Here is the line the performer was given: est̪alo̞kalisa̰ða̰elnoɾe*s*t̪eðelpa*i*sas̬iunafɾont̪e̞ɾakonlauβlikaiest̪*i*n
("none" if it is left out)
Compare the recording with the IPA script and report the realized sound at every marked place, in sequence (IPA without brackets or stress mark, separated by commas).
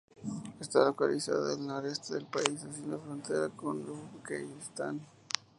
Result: s, i, a